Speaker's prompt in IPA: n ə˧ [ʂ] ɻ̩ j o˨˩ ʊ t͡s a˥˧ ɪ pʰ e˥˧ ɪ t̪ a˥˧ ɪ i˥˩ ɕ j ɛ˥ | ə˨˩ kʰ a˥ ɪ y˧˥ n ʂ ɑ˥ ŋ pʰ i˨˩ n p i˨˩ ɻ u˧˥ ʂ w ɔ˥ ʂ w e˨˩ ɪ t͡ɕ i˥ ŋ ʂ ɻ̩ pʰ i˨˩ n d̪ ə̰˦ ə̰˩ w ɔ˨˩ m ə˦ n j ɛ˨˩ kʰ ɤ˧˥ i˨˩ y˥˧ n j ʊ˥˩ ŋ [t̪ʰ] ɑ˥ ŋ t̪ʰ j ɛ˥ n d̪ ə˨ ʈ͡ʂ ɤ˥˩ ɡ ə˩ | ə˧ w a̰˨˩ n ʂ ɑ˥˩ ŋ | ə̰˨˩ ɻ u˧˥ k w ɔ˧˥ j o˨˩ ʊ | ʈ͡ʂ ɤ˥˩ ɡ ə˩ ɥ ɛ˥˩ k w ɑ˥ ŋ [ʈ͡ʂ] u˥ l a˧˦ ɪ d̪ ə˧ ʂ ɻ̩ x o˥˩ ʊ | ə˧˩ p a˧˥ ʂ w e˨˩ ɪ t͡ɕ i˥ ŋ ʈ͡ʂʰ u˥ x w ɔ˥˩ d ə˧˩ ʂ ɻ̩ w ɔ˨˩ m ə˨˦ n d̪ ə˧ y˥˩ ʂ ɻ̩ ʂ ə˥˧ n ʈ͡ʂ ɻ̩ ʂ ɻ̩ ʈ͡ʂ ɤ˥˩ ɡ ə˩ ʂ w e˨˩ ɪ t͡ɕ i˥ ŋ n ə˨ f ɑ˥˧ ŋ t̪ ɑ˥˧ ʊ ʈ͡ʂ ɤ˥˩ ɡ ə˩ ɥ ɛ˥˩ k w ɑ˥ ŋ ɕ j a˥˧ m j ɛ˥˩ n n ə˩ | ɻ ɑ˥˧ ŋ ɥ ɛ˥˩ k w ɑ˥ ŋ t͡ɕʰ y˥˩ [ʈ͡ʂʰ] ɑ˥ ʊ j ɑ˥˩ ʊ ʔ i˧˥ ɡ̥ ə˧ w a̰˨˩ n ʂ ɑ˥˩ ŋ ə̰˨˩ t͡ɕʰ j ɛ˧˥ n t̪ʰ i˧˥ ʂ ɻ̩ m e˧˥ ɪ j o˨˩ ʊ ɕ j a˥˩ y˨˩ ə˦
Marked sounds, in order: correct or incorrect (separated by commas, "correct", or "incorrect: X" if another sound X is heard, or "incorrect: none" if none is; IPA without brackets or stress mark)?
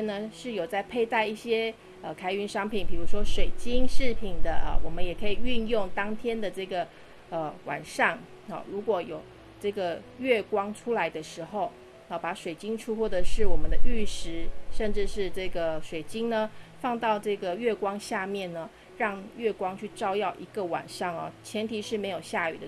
correct, incorrect: t̪, incorrect: ʈ͡ʂʰ, incorrect: ʈ͡ʂ